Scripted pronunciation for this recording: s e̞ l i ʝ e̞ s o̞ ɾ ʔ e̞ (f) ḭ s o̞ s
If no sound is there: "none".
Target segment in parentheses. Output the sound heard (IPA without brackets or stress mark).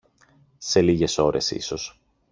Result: s